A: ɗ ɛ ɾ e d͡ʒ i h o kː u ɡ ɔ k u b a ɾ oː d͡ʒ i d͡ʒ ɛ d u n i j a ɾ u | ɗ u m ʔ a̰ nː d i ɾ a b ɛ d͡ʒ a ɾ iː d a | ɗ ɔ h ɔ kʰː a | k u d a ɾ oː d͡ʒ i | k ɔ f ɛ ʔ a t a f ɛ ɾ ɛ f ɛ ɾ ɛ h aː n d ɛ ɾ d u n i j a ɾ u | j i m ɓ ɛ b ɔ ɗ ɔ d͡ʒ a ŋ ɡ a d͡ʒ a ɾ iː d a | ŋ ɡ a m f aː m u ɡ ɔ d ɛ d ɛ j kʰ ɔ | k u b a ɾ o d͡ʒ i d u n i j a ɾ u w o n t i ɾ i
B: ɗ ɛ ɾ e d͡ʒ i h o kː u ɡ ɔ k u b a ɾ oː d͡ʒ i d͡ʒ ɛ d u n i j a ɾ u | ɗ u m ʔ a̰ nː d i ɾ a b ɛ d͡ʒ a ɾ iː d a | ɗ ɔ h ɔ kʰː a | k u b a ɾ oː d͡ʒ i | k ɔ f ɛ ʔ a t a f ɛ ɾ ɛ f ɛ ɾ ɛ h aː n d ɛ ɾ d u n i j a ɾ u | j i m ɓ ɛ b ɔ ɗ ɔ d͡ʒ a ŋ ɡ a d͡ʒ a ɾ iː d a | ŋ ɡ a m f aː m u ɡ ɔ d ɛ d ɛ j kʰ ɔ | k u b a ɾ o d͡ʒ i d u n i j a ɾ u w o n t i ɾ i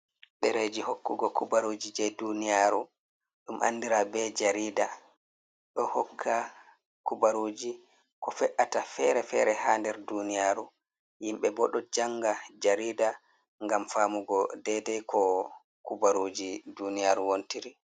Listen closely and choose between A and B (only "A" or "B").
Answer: B